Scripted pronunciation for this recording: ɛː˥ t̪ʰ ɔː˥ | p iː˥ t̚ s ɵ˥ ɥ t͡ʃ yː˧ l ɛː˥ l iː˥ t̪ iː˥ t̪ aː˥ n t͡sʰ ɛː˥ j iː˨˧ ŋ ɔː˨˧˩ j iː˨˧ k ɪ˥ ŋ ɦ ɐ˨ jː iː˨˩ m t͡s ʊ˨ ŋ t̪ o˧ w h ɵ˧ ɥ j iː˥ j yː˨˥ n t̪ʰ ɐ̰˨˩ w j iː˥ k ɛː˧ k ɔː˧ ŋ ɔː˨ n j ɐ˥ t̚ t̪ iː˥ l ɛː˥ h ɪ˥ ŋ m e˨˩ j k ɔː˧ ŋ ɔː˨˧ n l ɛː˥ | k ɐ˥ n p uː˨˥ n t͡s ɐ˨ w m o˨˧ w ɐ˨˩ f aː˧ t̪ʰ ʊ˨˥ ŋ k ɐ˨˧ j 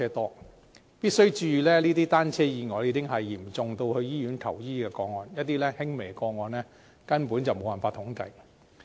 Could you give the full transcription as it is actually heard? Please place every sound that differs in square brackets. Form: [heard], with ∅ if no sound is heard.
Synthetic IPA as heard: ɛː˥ [t̪] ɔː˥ | p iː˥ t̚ s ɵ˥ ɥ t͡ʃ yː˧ l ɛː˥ l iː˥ t̪ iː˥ t̪ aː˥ n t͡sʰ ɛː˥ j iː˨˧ ŋ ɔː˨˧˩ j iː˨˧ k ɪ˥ ŋ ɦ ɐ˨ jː iː˨˩ m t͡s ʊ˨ ŋ t̪ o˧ w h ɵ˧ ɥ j iː˥ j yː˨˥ n t̪ʰ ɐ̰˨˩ w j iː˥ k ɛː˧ k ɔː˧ ŋ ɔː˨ n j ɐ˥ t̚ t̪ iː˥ l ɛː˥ h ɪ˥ ŋ m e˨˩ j k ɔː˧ ŋ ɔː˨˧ n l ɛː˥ | k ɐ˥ n p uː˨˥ n t͡s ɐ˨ w m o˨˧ w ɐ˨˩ f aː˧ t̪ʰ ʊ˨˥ ŋ k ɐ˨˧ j